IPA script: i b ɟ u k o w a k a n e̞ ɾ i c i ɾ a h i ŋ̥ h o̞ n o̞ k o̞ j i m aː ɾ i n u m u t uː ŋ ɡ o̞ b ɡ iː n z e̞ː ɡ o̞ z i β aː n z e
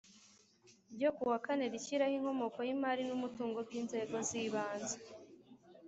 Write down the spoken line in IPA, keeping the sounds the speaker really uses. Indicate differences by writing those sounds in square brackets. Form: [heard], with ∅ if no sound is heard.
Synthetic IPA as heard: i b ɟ [o] k [u] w a k a n e̞ ɾ i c i ɾ a h i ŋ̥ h o̞ [m] o̞ k o̞ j i m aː ɾ i n u m u t uː ŋ ɡ o̞ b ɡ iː n z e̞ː ɡ o̞ z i β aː n z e